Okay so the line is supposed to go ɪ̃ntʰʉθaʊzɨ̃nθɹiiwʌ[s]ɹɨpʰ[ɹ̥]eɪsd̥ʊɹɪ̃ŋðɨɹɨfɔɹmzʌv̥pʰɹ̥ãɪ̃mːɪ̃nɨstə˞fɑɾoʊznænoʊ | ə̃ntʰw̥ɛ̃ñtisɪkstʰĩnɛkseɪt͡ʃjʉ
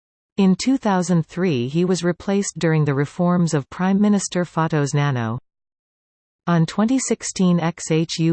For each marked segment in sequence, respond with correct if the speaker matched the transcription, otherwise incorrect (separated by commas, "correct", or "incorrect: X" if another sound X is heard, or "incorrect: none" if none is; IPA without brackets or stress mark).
incorrect: z, incorrect: l̥